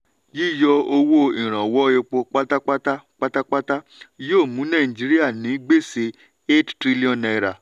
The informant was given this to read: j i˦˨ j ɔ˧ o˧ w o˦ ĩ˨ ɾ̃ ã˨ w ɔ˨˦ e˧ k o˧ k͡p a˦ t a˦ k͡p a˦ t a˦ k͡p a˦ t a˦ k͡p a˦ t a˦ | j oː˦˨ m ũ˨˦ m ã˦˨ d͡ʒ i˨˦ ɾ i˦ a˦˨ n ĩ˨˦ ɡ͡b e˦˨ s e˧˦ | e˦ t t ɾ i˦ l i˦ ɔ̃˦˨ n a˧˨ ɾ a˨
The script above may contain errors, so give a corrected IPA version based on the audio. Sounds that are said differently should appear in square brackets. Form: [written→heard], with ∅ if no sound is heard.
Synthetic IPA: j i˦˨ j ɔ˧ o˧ w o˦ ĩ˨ ɾ̃ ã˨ w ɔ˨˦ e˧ [k→k͡p] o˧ k͡p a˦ t a˦ k͡p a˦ t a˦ k͡p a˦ t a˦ k͡p a˦ t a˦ | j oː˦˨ m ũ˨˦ [m→n] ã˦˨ d͡ʒ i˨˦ ɾ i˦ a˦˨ n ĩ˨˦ ɡ͡b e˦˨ s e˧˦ | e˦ t t ɾ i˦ l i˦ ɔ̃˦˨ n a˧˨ ɾ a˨